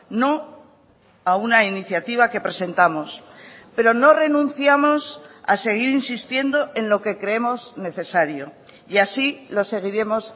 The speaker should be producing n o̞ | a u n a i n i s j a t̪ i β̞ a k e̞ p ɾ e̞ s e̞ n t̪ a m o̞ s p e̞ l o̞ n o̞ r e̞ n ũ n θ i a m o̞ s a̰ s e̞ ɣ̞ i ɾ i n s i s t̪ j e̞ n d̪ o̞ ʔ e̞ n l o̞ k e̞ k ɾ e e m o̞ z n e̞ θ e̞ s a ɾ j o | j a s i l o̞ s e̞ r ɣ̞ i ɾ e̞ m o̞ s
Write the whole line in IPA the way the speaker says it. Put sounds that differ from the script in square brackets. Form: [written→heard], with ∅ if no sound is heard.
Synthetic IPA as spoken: n o̞ | a u n a i n i [s→θ] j a t̪ i β̞ a k e̞ p ɾ e̞ s e̞ n t̪ a m o̞ s p e̞ [l→ɾ] o̞ n o̞ r e̞ n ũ n θ [i→j] a m o̞ s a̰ s e̞ ɣ̞ i ɾ i n s i s t̪ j e̞ n d̪ o̞ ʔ e̞ n l o̞ k e̞ k ɾ e e m o̞ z n e̞ θ e̞ s a ɾ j o | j a s i l o̞ s e̞ [r→∅] ɣ̞ i ɾ e̞ m o̞ s